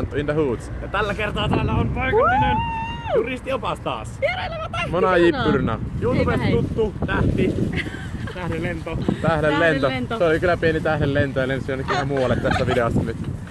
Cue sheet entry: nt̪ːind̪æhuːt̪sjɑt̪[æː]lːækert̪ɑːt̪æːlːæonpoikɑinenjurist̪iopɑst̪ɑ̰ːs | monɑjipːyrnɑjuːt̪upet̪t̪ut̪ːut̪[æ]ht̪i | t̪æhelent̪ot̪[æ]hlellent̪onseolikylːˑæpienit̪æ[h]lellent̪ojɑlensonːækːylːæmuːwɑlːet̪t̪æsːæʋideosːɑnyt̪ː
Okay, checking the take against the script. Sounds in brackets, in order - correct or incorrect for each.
incorrect, correct, correct, correct

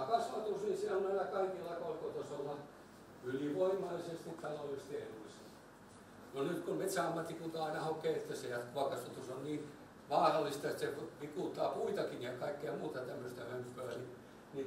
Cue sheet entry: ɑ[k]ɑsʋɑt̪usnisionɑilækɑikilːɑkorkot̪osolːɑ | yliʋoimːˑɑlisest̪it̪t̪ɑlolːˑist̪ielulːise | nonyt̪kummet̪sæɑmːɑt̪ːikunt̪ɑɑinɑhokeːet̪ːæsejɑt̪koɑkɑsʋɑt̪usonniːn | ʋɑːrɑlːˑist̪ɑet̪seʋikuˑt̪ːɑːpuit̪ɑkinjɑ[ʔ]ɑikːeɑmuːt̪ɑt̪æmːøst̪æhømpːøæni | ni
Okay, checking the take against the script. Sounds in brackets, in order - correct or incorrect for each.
correct, incorrect

